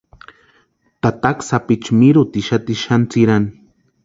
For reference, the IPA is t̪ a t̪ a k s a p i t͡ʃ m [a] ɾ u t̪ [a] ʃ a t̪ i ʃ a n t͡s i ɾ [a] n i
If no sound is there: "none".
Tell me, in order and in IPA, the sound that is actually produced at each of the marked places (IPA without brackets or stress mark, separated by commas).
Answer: i, i, a